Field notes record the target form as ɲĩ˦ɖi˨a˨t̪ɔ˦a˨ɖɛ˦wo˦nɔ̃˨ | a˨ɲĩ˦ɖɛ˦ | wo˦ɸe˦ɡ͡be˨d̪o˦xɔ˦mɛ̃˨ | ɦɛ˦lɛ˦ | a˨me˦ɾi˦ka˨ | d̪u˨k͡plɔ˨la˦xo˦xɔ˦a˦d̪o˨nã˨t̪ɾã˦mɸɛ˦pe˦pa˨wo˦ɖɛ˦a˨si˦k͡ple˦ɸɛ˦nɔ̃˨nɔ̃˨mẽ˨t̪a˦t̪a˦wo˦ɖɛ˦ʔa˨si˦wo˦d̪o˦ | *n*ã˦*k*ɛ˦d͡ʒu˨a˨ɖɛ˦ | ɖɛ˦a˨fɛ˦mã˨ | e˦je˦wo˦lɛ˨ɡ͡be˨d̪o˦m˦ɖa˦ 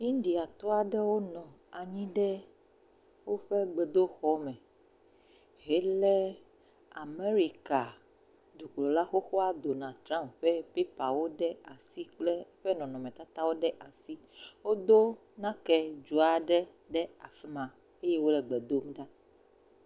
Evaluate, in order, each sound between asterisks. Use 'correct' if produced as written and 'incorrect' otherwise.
correct, correct

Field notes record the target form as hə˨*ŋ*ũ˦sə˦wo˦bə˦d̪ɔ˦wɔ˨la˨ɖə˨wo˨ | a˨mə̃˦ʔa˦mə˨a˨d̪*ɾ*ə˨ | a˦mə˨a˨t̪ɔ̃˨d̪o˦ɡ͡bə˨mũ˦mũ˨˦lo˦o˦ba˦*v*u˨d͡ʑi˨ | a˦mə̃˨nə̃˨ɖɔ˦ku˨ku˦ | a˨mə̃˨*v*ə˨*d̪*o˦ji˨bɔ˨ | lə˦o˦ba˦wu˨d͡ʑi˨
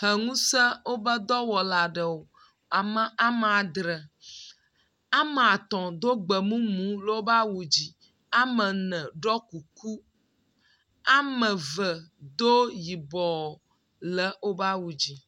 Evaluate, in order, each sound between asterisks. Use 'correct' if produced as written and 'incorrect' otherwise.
correct, correct, incorrect: w, correct, correct

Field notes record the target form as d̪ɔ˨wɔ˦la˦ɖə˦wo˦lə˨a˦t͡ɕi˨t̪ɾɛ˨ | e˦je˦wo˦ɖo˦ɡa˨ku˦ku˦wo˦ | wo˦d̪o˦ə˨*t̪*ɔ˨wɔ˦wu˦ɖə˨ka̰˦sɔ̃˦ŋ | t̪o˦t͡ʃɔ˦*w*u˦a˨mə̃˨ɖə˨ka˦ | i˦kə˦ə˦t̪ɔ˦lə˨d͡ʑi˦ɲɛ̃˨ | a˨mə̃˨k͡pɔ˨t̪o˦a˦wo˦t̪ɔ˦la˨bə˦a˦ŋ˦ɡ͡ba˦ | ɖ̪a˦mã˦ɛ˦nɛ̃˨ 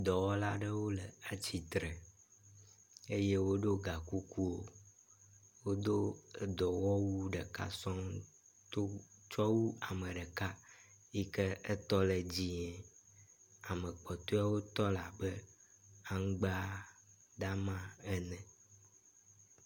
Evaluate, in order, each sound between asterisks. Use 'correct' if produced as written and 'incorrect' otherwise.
incorrect: d̪, correct

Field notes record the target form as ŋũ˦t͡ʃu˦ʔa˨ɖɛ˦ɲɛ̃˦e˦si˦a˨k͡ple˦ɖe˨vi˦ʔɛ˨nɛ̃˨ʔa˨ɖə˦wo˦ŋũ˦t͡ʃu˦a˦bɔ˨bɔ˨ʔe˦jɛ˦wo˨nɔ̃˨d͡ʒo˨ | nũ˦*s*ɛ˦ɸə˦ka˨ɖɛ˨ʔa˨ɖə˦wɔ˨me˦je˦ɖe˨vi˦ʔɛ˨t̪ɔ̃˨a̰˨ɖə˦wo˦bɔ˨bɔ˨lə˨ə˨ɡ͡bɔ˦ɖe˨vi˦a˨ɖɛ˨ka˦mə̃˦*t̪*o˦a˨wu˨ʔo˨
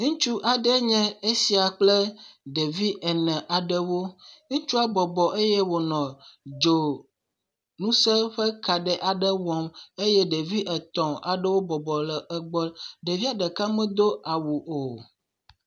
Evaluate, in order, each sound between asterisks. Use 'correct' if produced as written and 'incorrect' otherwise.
correct, incorrect: d̪

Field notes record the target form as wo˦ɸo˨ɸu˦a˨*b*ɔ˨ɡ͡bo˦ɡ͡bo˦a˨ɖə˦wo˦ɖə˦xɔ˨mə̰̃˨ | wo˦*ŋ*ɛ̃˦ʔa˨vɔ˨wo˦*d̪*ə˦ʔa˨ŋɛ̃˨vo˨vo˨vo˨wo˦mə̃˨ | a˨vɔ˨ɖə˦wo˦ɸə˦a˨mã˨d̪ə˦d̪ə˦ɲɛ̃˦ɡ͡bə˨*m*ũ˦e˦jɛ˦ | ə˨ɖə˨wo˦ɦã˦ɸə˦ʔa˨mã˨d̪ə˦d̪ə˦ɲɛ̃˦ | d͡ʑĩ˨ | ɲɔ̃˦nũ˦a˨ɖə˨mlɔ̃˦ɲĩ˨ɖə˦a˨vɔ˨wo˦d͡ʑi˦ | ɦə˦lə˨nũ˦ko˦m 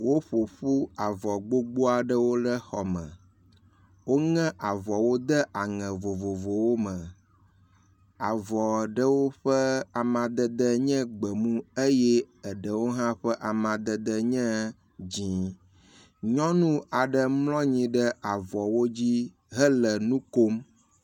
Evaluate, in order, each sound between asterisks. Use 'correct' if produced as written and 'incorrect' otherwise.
incorrect: v, correct, correct, correct

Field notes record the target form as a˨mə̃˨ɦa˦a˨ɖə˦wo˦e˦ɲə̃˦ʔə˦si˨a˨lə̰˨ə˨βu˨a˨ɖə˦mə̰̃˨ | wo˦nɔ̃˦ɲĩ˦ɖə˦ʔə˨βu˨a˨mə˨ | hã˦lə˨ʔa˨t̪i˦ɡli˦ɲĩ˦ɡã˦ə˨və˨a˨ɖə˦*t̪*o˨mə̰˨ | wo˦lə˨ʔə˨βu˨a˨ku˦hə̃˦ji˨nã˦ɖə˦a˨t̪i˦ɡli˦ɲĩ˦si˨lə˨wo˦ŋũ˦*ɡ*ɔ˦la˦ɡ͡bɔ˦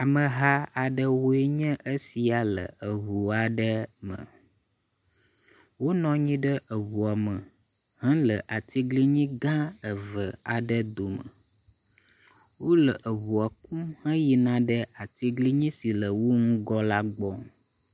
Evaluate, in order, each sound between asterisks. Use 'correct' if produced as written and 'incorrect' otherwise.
incorrect: d̪, correct

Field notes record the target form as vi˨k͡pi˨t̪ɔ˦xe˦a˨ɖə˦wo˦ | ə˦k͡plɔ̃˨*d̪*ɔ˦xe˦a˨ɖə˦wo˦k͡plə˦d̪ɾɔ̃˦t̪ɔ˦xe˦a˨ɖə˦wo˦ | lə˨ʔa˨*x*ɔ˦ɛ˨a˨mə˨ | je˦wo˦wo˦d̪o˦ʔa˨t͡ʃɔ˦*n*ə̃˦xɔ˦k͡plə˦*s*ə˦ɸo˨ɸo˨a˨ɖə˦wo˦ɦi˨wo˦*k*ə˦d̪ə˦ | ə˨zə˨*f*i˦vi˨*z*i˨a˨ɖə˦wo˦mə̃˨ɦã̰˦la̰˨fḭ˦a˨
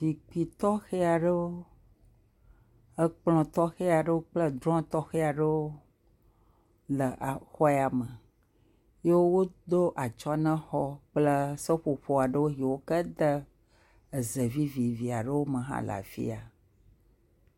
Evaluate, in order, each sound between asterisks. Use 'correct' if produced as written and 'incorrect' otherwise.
incorrect: t̪, correct, correct, correct, correct, incorrect: v, incorrect: v

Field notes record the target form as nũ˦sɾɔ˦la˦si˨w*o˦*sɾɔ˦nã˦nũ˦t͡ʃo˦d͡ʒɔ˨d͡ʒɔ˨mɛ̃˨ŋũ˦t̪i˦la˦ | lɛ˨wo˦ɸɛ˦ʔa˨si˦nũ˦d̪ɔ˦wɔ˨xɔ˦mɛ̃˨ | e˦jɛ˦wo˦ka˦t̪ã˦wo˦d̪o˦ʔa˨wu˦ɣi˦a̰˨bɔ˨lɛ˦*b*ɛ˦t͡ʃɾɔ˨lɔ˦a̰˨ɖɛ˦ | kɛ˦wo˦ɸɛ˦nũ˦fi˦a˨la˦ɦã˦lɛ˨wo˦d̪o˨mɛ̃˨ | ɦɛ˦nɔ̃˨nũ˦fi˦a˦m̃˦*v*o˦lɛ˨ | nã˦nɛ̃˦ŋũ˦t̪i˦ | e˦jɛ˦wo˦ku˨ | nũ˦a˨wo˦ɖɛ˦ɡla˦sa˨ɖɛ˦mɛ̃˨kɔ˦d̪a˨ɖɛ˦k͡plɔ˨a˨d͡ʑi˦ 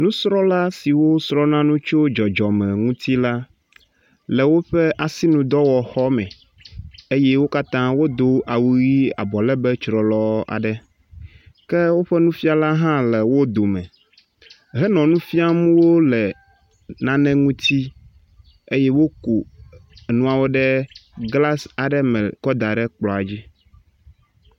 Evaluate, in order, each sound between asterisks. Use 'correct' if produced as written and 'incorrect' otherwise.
correct, correct, incorrect: w

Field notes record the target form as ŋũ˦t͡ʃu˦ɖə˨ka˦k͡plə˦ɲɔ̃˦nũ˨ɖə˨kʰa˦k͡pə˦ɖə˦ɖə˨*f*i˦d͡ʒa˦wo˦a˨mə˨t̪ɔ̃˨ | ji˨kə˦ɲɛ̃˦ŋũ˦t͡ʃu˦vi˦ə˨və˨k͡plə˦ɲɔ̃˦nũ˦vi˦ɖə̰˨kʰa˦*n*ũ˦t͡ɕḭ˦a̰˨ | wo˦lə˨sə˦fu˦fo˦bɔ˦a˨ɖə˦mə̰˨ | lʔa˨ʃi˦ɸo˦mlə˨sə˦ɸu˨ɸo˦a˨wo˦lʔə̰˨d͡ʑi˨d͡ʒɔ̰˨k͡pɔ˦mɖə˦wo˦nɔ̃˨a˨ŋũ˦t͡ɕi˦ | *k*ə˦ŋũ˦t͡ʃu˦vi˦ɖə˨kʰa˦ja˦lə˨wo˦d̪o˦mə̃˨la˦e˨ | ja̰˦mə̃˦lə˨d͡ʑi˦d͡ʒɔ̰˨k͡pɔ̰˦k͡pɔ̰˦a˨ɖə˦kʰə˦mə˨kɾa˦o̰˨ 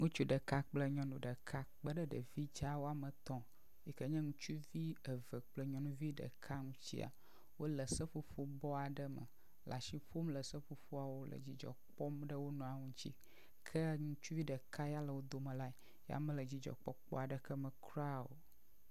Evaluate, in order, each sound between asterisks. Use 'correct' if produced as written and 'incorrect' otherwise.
incorrect: v, incorrect: ŋ, incorrect: kʰ

